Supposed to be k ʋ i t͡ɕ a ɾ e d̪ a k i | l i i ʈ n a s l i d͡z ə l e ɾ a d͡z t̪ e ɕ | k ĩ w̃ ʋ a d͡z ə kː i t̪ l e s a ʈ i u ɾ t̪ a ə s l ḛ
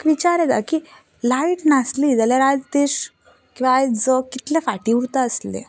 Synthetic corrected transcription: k ʋ i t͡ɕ a ɾ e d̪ a k i | l a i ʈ n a s l i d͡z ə l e ɾ a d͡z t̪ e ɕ | k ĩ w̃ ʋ a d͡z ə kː i t̪ l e f a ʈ i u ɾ t̪ a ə s l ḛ